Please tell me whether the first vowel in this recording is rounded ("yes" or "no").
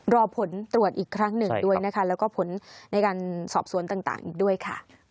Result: yes